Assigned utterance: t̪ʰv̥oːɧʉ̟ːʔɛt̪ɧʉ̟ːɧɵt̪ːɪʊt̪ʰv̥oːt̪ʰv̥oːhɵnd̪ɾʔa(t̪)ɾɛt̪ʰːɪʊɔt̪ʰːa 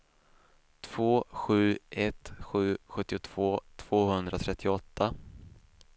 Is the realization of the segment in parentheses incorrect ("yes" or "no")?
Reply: yes